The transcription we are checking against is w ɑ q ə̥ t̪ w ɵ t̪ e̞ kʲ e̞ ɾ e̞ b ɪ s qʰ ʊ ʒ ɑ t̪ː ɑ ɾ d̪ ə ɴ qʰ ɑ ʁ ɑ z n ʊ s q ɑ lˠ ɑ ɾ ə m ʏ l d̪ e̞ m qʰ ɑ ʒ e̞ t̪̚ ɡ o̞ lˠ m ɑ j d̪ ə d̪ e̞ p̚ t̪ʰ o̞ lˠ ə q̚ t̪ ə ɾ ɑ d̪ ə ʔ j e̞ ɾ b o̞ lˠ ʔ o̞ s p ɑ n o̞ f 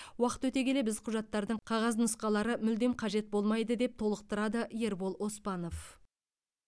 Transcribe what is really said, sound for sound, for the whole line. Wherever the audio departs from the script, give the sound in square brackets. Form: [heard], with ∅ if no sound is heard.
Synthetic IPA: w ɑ q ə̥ t̪ w ɵ t̪ e̞ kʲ e̞ [l] e̞ b ɪ [z] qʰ ʊ ʒ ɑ t̪ː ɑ ɾ d̪ ə ɴ qʰ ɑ ʁ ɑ z n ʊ s q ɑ lˠ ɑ ɾ ə m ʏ l d̪ e̞ m qʰ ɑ ʒ e̞ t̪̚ [b] o̞ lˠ m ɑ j d̪ ə d̪ e̞ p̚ t̪ʰ o̞ lˠ ə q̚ t̪ ə ɾ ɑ d̪ ə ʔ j e̞ ɾ b o̞ lˠ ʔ o̞ s p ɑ n o̞ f